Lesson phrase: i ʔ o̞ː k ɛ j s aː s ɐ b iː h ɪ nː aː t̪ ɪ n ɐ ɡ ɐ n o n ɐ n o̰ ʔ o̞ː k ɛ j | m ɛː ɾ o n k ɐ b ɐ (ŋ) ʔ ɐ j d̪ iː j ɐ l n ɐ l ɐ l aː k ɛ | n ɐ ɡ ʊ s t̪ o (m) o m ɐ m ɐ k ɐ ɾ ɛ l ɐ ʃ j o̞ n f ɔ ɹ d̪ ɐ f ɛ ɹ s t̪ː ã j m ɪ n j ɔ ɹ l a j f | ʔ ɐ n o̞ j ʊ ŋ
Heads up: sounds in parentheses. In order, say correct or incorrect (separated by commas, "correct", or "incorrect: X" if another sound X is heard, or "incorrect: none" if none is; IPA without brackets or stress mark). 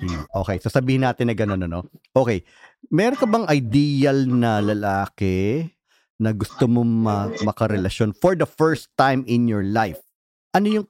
correct, correct